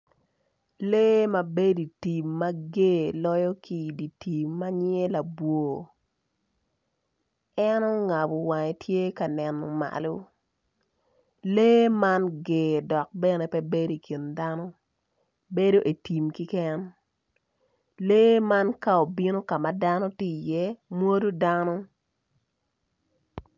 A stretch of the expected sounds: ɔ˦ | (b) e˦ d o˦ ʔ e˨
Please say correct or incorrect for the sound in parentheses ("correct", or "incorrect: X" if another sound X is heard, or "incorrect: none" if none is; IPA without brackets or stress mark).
correct